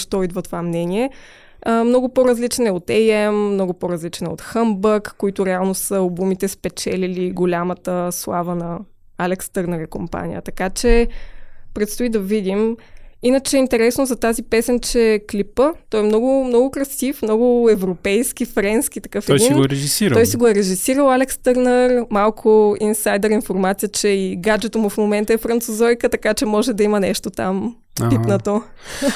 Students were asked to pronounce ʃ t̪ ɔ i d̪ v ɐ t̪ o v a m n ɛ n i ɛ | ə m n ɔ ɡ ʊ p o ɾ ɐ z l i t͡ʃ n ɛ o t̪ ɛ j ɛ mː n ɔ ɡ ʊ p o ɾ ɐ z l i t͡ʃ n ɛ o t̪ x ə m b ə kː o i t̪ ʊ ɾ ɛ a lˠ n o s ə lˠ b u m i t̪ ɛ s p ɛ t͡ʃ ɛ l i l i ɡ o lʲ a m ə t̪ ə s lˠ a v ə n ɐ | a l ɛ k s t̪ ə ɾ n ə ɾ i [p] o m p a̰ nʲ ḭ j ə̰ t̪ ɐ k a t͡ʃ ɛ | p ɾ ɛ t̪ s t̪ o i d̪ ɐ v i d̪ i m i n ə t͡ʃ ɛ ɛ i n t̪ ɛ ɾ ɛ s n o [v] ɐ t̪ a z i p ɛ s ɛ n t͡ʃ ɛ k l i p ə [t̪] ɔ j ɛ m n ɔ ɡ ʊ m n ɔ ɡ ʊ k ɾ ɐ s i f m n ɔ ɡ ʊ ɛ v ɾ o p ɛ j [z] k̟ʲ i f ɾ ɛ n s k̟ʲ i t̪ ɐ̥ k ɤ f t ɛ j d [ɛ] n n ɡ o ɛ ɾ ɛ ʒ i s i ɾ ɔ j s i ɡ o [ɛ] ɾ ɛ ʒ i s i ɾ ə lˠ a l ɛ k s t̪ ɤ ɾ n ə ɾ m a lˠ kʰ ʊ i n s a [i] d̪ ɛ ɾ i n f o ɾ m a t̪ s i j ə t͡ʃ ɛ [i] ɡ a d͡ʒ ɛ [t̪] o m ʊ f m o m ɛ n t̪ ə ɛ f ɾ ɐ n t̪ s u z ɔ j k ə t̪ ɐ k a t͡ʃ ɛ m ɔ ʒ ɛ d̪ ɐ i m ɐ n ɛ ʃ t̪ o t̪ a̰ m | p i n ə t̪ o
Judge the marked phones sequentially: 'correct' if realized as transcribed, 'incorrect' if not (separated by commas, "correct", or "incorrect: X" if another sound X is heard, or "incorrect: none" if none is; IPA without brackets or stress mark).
incorrect: k, incorrect: z, correct, incorrect: s, incorrect: i, correct, incorrect: j, correct, correct